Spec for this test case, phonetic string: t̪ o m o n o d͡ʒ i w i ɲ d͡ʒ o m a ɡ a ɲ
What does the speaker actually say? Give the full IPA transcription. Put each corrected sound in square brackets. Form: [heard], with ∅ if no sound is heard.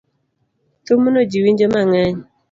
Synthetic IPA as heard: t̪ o m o n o d͡ʒ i w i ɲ d͡ʒ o m a [ŋ] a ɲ